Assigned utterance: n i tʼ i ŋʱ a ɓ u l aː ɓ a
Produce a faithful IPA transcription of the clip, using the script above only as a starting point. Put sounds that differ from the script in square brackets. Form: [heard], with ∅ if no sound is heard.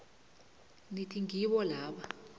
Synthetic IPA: n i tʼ i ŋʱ [i] ɓ [ɔ] l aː ɓ a